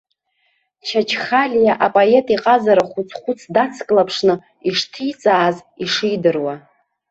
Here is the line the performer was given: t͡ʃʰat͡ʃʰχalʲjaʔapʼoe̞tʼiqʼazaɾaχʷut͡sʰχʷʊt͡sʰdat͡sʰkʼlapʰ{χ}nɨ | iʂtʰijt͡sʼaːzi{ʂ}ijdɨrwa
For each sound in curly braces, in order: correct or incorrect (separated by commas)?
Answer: incorrect, correct